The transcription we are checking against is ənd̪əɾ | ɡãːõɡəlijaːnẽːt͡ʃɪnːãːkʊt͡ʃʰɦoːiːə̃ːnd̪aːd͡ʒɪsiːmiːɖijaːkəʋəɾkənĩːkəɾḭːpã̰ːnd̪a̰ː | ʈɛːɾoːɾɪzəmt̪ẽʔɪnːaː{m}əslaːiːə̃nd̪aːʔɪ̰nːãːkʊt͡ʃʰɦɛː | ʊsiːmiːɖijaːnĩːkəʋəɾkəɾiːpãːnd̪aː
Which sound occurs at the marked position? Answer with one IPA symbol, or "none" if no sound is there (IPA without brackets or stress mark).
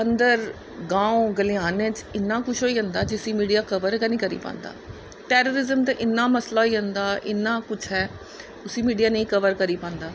m